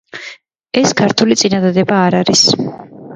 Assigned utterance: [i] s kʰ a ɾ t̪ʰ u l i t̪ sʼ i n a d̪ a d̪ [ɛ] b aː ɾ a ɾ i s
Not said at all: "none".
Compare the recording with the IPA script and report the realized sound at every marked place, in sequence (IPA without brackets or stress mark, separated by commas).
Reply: ɛ, ɛ